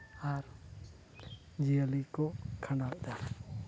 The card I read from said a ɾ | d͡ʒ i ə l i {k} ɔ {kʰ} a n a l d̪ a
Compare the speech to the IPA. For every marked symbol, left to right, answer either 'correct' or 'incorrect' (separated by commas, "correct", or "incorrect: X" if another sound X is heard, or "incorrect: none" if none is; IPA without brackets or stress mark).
correct, correct